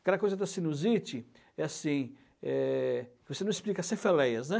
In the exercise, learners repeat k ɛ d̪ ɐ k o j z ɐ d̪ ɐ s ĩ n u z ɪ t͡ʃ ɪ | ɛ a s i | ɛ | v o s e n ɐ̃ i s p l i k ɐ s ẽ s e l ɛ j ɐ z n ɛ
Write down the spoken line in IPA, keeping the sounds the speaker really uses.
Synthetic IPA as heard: k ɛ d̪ ɐ k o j z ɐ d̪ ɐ s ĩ n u z i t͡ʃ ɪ | ɛ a s ĩ | ɛ | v o s e n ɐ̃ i s p l i k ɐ s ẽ f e l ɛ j ɐ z n ɛ